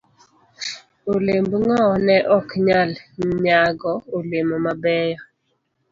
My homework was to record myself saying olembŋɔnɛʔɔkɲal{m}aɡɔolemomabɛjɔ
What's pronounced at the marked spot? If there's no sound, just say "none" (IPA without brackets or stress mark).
ɲ